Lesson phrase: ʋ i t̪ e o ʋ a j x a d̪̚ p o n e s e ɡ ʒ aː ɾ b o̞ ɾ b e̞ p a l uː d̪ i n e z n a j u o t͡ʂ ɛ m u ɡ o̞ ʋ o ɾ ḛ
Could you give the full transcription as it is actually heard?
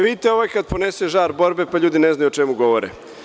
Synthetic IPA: ʋ i t̪ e o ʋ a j k a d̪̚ p o n e s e ʒ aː ɾ b o̞ ɾ b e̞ p a ʎ uː d̪ i n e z n a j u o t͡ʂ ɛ m u ɡ o̞ ʋ o ɾ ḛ